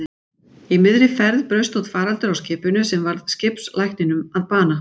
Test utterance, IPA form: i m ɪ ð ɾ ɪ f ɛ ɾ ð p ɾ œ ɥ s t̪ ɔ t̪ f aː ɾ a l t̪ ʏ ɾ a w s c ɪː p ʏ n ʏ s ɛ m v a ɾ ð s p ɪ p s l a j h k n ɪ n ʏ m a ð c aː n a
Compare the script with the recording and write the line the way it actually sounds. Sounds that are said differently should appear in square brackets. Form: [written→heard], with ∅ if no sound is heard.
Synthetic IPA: i m ɪ ð ɾ ɪ f ɛ ɾ ð p ɾ œ ɥ s t̪ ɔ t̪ f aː ɾ a l t̪ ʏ ɾ a w s c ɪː p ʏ n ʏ s ɛ m v a ɾ ð s [p→c] ɪ p s l a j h k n ɪ n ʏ m a ð [c→p] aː n a